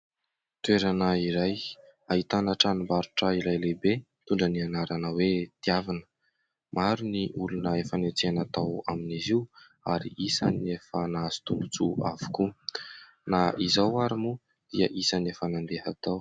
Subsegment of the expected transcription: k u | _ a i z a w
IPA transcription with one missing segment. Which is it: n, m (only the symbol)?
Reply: n